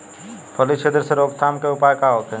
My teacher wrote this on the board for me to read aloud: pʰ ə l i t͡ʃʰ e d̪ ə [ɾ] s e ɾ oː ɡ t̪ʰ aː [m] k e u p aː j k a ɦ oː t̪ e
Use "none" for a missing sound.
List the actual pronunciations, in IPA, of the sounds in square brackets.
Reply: ɾ, m

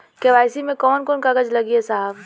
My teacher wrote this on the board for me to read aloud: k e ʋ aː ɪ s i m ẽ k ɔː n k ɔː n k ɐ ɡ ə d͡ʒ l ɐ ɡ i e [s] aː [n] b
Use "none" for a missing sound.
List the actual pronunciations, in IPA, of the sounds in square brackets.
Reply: s, none

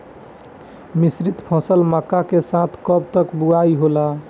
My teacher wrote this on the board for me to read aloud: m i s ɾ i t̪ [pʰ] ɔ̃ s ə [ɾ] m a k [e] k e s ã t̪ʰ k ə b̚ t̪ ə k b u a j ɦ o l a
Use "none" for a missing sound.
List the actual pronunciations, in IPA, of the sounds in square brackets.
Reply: pʰ, l, a

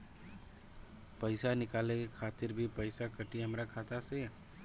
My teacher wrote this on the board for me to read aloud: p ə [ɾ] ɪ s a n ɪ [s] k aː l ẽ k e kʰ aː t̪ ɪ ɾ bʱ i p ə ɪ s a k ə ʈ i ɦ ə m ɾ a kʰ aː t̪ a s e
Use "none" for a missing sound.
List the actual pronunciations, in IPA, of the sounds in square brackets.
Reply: none, none

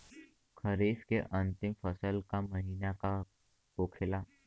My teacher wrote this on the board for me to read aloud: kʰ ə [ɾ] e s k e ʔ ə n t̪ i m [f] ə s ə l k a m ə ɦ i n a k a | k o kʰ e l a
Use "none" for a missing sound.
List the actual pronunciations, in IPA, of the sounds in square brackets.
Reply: ɾ, f

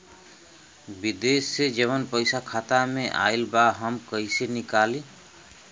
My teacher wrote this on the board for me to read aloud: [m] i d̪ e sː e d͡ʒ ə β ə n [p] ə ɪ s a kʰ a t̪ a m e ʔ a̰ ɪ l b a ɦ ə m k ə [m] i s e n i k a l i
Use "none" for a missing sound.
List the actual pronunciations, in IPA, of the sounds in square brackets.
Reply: b, p, none

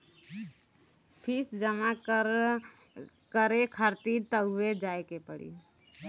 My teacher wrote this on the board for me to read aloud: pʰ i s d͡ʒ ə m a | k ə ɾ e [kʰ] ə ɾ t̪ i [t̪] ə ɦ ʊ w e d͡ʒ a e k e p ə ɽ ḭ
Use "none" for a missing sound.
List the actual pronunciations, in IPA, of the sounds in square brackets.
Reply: kʰ, t̪

